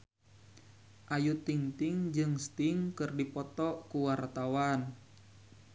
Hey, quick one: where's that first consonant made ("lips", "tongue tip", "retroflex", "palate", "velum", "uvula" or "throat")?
throat